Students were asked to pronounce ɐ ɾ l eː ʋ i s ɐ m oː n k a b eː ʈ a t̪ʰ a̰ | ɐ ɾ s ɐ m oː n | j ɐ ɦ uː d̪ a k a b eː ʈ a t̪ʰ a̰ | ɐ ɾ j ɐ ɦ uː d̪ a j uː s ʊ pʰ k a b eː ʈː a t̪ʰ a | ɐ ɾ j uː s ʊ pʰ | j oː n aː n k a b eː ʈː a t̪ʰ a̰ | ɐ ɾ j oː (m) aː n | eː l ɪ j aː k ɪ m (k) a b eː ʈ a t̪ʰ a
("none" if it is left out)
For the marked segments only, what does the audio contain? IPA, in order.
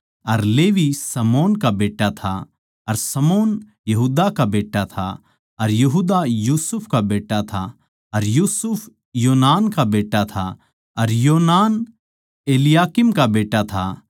n, k

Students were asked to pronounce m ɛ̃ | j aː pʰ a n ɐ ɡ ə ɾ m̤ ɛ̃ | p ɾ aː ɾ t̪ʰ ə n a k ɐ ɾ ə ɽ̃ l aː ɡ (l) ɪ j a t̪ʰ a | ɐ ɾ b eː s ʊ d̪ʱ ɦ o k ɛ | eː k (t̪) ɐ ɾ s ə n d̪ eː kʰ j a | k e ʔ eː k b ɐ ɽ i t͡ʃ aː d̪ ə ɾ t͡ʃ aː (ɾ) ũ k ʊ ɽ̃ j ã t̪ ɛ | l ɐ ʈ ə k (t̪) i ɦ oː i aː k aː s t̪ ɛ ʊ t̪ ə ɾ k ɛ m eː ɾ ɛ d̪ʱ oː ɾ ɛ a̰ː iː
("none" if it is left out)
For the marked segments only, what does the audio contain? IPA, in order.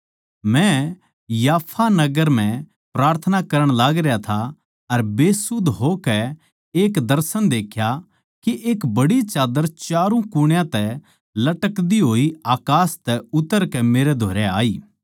ɾ, d̪, ɾ, d̪

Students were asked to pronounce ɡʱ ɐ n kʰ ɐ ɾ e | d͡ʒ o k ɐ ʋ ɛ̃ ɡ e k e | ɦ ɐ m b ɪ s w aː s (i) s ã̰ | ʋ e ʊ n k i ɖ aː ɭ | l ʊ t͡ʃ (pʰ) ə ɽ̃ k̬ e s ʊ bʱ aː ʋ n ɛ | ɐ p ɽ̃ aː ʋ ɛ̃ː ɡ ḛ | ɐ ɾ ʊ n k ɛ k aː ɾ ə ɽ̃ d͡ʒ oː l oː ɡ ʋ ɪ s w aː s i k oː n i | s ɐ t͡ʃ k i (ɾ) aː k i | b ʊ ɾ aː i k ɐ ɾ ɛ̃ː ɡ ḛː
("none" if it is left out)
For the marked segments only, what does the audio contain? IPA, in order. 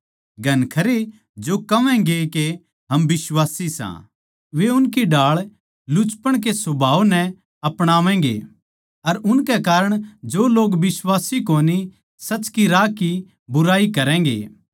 i, p, ɾ

